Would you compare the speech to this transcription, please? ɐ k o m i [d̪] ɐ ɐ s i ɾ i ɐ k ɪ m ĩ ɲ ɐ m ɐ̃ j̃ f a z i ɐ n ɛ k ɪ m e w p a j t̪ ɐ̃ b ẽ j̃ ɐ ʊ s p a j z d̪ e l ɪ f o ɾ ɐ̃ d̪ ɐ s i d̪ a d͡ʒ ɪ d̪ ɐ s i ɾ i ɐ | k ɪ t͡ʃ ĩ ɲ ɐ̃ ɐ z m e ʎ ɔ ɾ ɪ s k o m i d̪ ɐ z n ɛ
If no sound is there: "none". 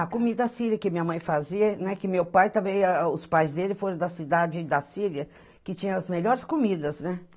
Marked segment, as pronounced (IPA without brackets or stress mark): d̪